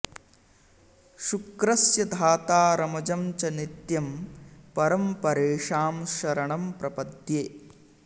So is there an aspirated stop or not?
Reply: no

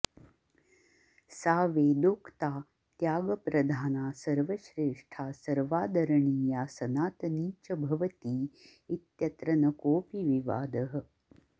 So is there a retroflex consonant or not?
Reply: yes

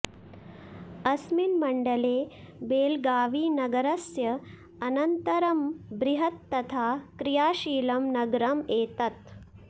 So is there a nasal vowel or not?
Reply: no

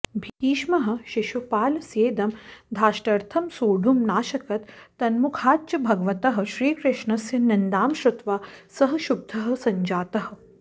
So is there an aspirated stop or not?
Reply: yes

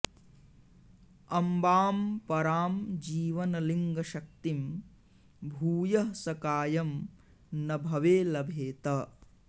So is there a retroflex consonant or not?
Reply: no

